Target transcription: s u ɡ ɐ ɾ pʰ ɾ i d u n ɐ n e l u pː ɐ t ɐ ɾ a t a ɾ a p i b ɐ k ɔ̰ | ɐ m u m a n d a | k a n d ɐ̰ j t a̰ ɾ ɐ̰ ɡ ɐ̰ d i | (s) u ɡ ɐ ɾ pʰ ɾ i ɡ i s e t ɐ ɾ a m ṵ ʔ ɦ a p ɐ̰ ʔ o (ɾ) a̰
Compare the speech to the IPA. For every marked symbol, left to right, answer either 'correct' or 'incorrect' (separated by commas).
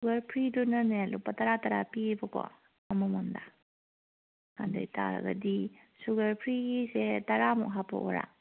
correct, correct